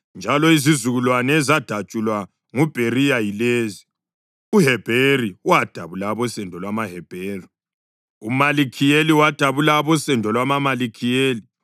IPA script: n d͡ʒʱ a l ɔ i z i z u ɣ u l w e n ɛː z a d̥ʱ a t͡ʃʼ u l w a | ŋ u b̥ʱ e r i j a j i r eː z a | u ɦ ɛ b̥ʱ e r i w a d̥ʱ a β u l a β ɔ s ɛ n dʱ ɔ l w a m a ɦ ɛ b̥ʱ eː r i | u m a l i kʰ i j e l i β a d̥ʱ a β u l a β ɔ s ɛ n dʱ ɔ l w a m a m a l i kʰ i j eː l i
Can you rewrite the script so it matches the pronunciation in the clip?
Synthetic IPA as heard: n d͡ʒʱ a l ɔ i z i z u ɣ u l w a n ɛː z a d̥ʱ a t͡ʃʼ u l w a | ŋ u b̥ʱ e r i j a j i l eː z i | u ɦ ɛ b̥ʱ e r i w a d̥ʱ a β u l a β ɔ s ɛ n dʱ ɔ l w a m a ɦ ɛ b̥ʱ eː r i | u m a l i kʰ i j e l i w a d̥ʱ a β u l a β ɔ s ɛ n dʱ ɔ l w a m a m a l i kʰ i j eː l i